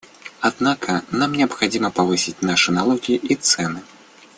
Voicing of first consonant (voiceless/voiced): voiced